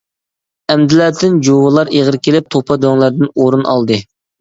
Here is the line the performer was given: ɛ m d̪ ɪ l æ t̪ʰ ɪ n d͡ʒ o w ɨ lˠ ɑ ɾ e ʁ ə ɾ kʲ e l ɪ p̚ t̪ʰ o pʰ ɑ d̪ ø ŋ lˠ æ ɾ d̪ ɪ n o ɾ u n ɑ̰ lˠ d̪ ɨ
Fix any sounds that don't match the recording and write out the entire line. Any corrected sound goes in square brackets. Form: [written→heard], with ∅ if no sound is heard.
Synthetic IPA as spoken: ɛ m d̪ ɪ l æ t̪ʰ ɪ n d͡ʒ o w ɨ lˠ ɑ ɾ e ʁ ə ɾ kʲ e l ɪ p̚ t̪ʰ o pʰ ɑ d̪ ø ŋ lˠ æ ɾ d̪ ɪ n o ɾ u n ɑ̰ lˠ d̪ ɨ

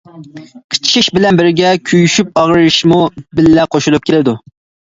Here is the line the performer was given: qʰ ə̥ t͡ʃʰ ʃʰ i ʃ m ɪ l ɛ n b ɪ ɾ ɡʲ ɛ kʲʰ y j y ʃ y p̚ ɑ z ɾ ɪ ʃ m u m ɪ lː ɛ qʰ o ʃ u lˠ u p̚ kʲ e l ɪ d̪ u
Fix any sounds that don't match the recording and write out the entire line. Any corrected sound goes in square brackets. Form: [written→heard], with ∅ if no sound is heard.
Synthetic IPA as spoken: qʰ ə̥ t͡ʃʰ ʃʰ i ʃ [m→b] ɪ l ɛ n b ɪ ɾ ɡʲ ɛ kʲʰ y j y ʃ y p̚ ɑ [z→ʁ] ɾ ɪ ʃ m u [m→b] ɪ lː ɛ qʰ o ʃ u lˠ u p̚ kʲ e l ɪ d̪ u

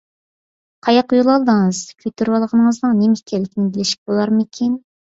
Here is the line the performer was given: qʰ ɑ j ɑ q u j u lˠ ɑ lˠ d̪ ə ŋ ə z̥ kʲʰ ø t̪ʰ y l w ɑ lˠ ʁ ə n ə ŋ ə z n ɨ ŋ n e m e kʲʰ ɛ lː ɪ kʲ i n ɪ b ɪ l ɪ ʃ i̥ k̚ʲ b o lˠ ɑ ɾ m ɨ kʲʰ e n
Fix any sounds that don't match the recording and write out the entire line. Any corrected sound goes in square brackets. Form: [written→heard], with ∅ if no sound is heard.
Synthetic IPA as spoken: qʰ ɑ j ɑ q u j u lˠ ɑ lˠ d̪ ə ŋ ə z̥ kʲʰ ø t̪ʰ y [l→ɾ] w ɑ lˠ ʁ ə n ə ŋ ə z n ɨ ŋ n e m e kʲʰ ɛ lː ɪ kʲ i n ɪ b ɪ l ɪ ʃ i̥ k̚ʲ b o lˠ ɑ ɾ m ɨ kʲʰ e n

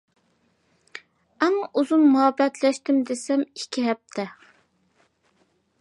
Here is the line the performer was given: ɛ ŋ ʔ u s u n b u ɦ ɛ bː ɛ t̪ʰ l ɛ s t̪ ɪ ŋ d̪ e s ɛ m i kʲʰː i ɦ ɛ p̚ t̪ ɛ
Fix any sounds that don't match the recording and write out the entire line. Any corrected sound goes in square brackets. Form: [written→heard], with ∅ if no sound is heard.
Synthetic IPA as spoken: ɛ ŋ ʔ u [s→z] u n [b→m] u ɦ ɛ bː ɛ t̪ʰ l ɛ [s→ʃ] t̪ ɪ [ŋ→m] d̪ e s ɛ m i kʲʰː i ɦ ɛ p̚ [t̪→t̪ʰ] ɛ

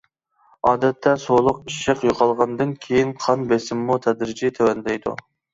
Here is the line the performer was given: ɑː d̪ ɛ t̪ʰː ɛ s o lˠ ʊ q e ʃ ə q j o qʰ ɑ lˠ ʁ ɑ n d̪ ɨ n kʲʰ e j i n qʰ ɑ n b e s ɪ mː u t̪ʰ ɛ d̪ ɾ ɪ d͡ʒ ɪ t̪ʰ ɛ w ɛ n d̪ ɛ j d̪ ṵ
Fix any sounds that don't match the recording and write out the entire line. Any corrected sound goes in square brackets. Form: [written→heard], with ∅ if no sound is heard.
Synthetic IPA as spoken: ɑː d̪ ɛ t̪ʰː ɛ s o lˠ ʊ q [e→i] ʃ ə q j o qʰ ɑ lˠ ʁ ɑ n d̪ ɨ n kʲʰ e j i n qʰ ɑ n b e s ɪ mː u t̪ʰ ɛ d̪ ɾ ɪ d͡ʒ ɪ t̪ʰ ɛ w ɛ n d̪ ɛ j d̪ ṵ

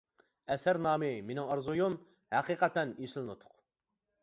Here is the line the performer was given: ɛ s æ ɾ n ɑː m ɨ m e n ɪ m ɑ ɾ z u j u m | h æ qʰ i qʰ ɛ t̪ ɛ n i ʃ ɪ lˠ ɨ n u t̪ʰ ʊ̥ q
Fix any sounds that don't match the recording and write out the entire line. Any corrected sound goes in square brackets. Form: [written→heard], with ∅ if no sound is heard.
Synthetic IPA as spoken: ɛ s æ ɾ n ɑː m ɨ m e n ɪ [m→ŋ] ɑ ɾ z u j u m | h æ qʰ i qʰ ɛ t̪ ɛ n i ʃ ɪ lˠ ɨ n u t̪ʰ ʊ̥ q

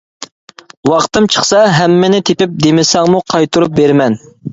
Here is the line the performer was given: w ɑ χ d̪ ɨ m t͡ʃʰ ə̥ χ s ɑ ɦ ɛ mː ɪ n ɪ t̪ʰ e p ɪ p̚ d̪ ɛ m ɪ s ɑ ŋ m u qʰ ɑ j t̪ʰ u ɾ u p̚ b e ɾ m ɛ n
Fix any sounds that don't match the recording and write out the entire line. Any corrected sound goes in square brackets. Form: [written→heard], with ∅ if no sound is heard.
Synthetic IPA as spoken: w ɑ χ [d̪→t̪] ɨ m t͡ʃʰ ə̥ χ s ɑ ɦ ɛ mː ɪ n ɪ t̪ʰ e p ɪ p̚ d̪ [ɛ→e] m ɪ s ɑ ŋ m u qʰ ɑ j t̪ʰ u ɾ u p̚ b e ɾ m ɛ n

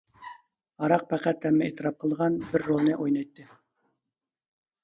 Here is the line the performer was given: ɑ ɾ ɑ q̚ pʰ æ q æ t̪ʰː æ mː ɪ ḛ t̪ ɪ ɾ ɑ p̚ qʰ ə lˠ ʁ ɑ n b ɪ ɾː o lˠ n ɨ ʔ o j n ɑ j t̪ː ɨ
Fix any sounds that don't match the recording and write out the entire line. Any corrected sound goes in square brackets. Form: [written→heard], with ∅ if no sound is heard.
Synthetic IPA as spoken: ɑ ɾ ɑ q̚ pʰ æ q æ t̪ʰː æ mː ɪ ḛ t̪ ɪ ɾ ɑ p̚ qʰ ə lˠ ʁ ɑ n b ɪ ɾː o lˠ n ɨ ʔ o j n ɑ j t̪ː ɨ

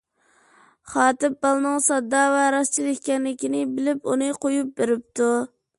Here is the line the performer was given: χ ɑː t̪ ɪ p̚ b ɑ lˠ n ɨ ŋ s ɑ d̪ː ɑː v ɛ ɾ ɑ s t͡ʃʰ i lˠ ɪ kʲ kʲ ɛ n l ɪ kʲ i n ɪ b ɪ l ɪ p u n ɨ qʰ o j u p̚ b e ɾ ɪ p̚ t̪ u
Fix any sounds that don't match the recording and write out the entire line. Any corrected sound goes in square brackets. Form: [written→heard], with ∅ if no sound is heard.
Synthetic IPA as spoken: χ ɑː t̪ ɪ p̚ b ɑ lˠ n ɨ ŋ s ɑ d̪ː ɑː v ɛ ɾ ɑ s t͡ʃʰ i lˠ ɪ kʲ kʲ ɛ n l ɪ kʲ i n ɪ b ɪ l ɪ p u n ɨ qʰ o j u p̚ b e ɾ ɪ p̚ t̪ u

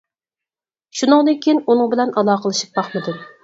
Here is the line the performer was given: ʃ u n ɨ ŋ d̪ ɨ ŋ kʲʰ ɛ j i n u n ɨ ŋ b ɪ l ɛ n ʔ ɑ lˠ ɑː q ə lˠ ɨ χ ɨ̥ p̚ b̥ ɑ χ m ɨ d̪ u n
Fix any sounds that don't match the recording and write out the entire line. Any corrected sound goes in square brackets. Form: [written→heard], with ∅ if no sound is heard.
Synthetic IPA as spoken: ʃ u n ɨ ŋ d̪ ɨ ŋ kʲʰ [ɛ→i] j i n u n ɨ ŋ b ɪ l ɛ n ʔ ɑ lˠ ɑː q ə lˠ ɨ [χ→ʃ] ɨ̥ p̚ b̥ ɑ χ m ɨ d̪ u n

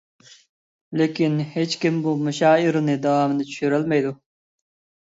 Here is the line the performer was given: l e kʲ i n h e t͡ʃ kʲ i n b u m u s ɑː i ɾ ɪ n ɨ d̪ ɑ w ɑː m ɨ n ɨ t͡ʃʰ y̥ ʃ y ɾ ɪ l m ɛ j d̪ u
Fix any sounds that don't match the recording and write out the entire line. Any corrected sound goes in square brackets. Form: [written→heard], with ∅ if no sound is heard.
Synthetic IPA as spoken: l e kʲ i n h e t͡ʃ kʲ i [n→m] b u m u [s→ʃ] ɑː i ɾ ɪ n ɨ d̪ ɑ w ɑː m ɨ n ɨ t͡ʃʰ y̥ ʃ y ɾ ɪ l m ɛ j d̪ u

